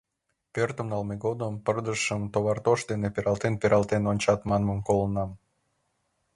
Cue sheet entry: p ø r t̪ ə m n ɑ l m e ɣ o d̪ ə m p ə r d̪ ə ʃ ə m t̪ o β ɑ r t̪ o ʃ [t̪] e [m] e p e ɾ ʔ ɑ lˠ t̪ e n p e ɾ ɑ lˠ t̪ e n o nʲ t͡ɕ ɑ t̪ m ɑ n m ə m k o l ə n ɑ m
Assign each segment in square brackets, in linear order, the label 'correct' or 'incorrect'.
incorrect: d̪, incorrect: n

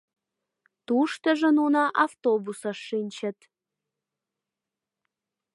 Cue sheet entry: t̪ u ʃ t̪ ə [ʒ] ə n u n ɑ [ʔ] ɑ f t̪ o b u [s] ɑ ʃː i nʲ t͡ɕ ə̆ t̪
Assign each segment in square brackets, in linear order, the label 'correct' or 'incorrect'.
correct, correct, correct

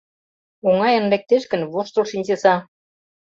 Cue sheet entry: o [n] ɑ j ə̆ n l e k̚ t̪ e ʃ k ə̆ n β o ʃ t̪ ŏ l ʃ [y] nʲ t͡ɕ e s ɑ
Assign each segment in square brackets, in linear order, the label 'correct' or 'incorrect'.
incorrect: ŋ, incorrect: i

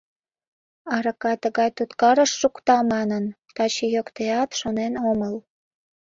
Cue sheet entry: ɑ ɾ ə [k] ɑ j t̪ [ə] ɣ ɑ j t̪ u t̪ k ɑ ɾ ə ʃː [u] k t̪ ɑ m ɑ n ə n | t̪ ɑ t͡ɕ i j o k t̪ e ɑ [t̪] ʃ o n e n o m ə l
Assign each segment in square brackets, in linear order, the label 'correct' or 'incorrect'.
correct, correct, correct, correct

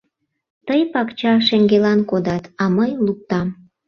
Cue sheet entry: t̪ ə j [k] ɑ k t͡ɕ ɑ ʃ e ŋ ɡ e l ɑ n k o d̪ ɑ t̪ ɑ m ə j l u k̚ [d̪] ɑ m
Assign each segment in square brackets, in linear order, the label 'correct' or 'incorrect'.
incorrect: p, incorrect: t̪

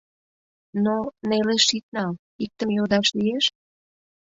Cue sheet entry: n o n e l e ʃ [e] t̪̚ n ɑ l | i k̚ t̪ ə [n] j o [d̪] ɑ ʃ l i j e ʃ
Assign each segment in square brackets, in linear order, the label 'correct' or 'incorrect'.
incorrect: i, incorrect: m, correct

